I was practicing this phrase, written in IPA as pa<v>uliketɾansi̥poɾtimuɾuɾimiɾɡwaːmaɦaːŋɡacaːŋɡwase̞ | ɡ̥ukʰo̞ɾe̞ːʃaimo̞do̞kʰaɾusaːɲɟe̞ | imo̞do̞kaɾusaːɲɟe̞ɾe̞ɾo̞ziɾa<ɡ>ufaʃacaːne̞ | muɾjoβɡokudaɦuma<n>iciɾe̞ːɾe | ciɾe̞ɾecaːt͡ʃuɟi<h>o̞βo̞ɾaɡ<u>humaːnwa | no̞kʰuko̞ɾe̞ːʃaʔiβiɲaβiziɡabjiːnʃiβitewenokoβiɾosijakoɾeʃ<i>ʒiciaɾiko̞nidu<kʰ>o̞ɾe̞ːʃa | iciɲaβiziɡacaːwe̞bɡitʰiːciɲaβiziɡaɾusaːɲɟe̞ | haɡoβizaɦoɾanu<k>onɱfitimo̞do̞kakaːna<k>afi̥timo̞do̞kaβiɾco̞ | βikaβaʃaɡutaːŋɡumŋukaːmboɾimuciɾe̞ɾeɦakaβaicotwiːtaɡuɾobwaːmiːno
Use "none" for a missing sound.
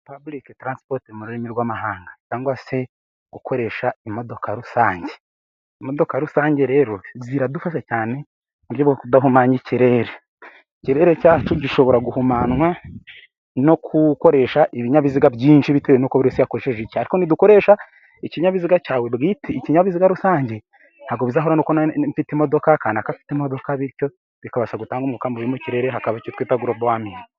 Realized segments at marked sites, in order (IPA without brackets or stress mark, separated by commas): b, d, ɲ, ʃ, u, e, k, k, k